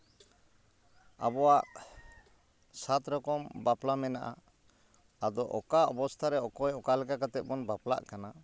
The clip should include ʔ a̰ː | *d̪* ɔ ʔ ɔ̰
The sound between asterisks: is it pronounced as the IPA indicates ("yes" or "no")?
yes